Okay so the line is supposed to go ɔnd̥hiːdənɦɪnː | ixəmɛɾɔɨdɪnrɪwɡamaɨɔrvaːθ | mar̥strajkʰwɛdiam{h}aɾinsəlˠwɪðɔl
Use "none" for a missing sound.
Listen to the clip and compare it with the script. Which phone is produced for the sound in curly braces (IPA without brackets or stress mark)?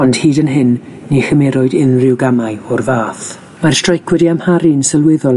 h